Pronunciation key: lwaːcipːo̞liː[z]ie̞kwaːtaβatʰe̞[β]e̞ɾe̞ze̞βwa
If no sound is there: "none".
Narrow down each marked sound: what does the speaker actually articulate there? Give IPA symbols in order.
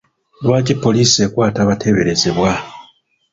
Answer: s, β

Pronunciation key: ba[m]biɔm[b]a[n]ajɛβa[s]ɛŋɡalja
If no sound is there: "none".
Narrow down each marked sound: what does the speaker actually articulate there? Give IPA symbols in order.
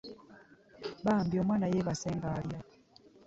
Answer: m, w, n, s

